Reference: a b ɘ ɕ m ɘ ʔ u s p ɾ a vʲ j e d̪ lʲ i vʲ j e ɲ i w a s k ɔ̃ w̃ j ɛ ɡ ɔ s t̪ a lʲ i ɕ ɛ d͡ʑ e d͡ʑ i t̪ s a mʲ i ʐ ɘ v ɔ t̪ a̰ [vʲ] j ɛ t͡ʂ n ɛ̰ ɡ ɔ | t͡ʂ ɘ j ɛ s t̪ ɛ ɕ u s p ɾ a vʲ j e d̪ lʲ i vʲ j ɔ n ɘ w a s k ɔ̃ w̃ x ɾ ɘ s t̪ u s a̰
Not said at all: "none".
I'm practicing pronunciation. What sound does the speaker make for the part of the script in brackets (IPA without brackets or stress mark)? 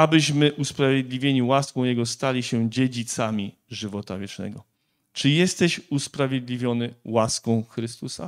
vʲ